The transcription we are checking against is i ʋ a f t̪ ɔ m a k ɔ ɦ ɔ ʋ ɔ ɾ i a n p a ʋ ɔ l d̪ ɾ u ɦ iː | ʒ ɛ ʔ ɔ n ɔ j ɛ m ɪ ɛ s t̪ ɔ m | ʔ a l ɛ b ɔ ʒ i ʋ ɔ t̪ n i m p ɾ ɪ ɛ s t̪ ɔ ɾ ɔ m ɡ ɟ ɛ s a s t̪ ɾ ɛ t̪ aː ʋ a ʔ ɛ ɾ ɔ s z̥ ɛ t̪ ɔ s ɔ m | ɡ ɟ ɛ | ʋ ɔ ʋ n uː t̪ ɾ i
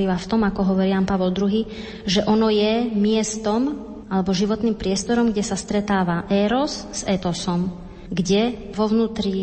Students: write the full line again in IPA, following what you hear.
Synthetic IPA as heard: i ʋ a f t̪ ɔ m a k ɔ ɦ ɔ ʋ ɔ ɾ i a n p a ʋ ɔ l d̪ ɾ u ɦ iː | ʒ ɛ ʔ ɔ n ɔ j ɛ m ɪ ɛ s t̪ ɔ m | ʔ a l ɛ b ɔ ʒ i ʋ ɔ t̪ n i m p ɾ ɪ ɛ s t̪ ɔ ɾ ɔ m ɡ ɟ ɛ s a s t̪ ɾ ɛ t̪ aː ʋ a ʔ ɛ ɾ ɔ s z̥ ɛ t̪ ɔ s ɔ m | ɡ ɟ ɛ | ʋ ɔ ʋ n uː t̪ ɾ i